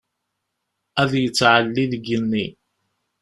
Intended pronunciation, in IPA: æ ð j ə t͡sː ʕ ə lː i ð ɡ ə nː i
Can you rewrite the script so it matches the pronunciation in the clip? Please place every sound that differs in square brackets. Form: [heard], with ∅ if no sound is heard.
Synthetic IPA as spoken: æ ð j ə t͡sː ʕ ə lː i ð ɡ ə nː i